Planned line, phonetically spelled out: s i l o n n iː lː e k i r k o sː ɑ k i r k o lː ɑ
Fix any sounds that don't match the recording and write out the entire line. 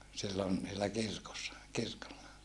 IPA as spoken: s i lː o n n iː lː æ k i r k o sː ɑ k i r k o lː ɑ